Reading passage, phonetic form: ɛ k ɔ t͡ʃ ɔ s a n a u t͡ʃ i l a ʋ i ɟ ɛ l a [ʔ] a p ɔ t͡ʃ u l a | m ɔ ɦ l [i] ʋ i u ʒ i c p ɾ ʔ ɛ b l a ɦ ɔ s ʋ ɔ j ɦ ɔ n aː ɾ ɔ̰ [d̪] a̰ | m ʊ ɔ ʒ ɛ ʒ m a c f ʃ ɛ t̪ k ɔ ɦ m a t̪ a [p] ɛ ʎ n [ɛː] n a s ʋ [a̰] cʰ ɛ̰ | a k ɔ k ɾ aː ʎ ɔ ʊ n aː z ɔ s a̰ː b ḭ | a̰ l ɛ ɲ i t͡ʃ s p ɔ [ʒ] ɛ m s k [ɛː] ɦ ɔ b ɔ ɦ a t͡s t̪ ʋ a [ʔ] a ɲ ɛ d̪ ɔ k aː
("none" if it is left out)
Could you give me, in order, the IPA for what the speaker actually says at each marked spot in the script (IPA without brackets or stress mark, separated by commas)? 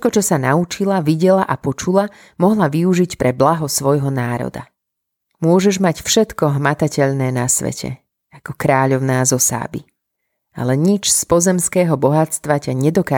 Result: ʔ, a, d̪, c, ɛː, ɛ̰, z, ɛː, c